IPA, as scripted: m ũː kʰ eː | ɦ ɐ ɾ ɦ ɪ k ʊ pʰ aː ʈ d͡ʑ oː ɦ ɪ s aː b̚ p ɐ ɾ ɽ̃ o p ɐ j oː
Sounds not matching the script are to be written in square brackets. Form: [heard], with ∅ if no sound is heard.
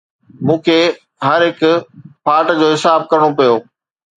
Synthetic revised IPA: m ũː kʰ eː | ɦ ɐ ɾ ɦ ɪ k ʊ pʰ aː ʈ d͡ʑ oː ɦ ɪ s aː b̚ [k] ɐ ɾ ɽ̃ o p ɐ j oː